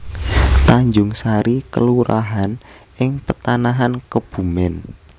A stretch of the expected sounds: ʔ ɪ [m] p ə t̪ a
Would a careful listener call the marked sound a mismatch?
yes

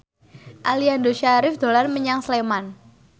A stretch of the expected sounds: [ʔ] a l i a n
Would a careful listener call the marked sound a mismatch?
no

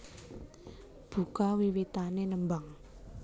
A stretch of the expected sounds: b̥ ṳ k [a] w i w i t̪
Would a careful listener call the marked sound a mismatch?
no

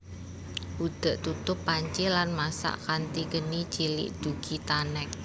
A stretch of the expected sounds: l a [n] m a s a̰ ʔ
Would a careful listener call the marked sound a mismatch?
no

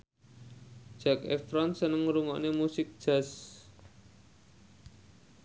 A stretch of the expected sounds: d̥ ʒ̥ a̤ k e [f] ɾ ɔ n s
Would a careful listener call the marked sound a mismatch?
no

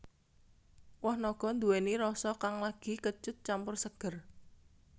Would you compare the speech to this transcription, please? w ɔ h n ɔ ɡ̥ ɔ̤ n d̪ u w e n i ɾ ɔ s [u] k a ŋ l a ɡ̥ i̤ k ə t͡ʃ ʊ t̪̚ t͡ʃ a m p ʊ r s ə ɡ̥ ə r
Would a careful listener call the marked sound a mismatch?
yes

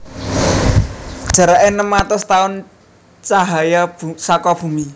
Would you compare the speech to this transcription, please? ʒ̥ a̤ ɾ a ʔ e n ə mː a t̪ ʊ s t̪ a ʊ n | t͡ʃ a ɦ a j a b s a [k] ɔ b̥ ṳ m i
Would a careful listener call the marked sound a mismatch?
no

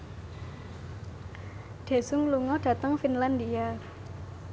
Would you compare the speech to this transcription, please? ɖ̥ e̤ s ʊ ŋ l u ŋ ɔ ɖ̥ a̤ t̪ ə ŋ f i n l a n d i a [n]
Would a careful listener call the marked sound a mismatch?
yes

